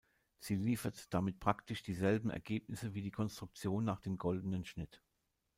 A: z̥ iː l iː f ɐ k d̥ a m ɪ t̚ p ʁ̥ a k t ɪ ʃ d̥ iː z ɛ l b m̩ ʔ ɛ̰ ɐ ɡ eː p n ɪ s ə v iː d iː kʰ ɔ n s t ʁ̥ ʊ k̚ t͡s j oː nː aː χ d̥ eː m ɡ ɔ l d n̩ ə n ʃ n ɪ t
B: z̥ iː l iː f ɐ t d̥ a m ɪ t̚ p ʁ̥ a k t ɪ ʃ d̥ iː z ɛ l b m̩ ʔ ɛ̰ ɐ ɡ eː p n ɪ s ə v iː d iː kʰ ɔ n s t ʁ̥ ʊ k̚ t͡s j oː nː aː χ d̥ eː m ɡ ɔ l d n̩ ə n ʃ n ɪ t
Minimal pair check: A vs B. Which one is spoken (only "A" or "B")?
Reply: B